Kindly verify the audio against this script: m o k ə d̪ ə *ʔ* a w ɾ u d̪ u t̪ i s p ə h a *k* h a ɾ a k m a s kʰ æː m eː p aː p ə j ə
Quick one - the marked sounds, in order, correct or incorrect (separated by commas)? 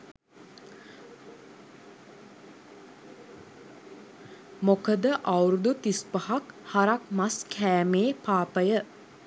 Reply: correct, correct